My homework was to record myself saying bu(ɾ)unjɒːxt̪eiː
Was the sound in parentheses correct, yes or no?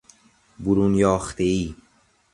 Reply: yes